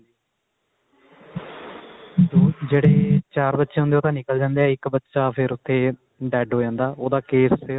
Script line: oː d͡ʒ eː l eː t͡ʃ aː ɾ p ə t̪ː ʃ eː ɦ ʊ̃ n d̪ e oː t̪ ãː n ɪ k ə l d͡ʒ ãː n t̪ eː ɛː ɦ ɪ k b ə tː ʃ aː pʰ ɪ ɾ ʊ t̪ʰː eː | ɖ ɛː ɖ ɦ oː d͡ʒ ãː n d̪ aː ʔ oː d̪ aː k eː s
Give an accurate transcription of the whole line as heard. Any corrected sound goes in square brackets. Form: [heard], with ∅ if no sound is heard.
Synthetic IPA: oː d͡ʒ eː [ɽ] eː t͡ʃ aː ɾ [b] ə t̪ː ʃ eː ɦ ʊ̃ n d̪ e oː t̪ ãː n ɪ k ə l d͡ʒ ãː n [d̪] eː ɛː [∅] ɪ k b ə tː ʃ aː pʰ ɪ ɾ ʊ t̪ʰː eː | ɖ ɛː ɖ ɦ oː d͡ʒ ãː n d̪ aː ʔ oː d̪ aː k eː s